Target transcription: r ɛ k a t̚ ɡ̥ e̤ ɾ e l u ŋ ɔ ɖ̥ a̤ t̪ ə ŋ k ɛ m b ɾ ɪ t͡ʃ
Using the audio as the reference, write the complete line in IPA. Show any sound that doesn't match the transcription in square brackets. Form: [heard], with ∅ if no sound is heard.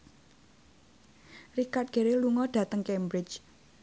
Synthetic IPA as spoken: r [i] k a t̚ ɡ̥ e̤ ɾ e l u ŋ ɔ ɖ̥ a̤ t̪ ə ŋ k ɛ m b ɾ ɪ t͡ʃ